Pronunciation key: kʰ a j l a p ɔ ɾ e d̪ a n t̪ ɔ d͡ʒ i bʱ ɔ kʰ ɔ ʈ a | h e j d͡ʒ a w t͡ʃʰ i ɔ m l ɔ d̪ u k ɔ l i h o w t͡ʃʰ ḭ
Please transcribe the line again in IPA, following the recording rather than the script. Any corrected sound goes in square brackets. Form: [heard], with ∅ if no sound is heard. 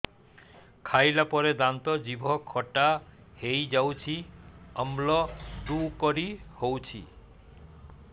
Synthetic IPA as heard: kʰ a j l a p ɔ ɾ e d̪ a n t̪ ɔ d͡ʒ i bʱ ɔ kʰ ɔ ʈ a | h e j d͡ʒ a w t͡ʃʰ i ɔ m l ɔ d̪ u k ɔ [ɾ] i h o w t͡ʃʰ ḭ